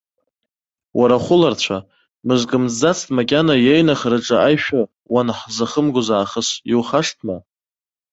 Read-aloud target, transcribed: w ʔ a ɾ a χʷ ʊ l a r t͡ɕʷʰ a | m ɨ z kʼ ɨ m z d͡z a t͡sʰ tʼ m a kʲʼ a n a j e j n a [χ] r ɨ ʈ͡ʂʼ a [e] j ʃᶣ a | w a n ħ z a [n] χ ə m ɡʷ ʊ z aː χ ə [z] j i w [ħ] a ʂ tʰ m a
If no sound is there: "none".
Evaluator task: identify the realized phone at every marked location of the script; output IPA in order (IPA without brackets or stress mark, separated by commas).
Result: χ, a, none, s, χ